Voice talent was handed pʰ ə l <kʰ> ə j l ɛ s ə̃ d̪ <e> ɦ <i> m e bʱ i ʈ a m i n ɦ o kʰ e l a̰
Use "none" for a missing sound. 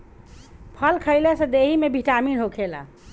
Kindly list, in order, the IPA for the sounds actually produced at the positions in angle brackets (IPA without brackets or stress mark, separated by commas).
kʰ, e, i